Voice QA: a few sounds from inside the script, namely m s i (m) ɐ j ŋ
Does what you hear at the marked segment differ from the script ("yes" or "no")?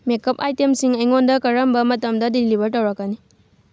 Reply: yes